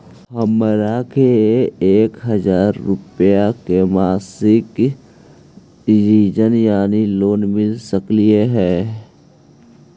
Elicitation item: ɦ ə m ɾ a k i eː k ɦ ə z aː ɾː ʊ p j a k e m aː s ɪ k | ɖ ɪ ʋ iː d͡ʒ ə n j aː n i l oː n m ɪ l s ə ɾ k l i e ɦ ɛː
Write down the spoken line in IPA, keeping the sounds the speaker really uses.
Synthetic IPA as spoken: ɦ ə m ɾ a k e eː k ɦ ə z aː ɾː ʊ p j a k e m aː s ɪ k | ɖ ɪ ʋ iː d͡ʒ ə n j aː n i l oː n m ɪ l s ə k l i e ɦ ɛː